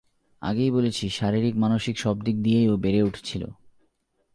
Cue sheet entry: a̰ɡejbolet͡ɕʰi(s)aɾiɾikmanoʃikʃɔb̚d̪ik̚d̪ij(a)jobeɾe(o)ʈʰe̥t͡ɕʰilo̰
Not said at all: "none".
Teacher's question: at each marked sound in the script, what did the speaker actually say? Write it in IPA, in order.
ʃ, e, u

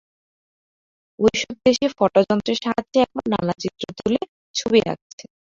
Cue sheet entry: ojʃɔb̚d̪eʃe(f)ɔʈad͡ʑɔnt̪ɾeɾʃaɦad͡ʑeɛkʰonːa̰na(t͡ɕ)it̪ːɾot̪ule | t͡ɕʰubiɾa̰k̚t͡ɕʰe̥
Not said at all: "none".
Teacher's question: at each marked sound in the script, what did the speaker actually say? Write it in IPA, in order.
f, t͡ɕ

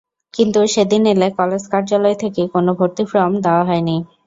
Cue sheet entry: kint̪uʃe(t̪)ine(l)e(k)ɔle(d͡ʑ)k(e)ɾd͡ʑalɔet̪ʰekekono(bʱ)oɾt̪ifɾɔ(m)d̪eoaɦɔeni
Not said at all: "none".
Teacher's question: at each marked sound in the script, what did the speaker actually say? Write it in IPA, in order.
d̪, l, k, d͡ʑ, a, bʱ, m

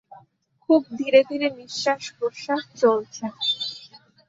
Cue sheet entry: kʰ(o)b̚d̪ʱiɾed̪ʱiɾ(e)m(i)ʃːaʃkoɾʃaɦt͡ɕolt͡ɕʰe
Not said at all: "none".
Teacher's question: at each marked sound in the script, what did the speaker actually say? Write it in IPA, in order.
u, e, i

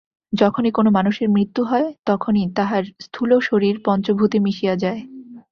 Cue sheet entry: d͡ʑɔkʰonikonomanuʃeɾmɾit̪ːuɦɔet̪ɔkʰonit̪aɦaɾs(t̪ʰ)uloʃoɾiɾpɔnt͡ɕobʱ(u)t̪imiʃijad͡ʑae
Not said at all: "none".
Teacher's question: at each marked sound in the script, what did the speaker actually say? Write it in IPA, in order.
t̪ʰ, u

